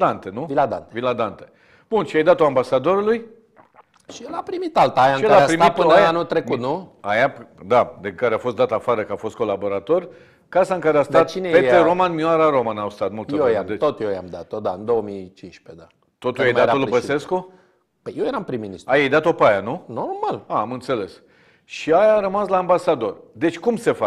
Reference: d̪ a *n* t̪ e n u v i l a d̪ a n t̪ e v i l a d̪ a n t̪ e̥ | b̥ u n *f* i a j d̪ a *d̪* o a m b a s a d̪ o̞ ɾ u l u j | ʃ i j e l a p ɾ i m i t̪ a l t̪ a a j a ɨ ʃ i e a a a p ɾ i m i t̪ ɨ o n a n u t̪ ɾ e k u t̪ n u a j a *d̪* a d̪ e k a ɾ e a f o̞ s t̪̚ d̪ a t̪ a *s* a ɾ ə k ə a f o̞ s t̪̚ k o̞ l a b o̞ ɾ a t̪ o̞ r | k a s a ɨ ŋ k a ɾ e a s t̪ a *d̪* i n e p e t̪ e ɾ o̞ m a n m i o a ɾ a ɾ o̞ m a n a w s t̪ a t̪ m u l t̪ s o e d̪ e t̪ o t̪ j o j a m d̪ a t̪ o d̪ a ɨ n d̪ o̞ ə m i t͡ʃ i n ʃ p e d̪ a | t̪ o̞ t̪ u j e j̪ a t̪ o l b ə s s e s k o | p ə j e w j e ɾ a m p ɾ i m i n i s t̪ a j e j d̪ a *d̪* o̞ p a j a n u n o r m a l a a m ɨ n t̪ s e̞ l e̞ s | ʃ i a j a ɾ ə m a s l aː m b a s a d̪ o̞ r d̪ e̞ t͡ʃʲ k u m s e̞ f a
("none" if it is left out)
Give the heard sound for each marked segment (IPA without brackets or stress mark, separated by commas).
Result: n, ʃ, t̪, d̪, f, t̪, t̪